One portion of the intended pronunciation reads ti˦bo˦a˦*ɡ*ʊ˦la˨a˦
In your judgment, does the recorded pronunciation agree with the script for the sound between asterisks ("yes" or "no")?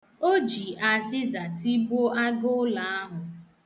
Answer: yes